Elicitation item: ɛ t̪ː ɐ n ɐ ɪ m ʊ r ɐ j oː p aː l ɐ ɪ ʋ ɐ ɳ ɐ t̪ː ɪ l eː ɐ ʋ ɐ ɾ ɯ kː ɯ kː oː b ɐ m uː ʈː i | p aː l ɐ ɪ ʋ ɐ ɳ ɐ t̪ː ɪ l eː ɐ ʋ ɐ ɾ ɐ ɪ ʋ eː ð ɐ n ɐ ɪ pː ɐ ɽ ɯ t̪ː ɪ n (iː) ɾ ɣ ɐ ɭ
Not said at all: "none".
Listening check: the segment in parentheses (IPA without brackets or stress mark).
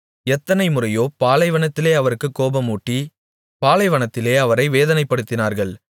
aː